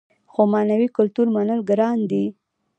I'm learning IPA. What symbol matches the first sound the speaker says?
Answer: x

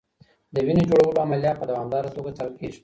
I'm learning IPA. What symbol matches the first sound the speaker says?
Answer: d̪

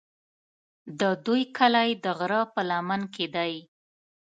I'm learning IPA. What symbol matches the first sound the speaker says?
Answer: d̪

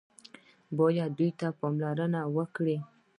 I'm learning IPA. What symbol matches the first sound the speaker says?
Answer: b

